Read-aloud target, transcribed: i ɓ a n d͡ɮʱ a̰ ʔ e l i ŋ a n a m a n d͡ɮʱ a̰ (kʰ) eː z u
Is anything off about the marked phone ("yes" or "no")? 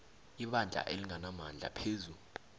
yes